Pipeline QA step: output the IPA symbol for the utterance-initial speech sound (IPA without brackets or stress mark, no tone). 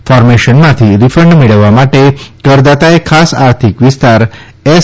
f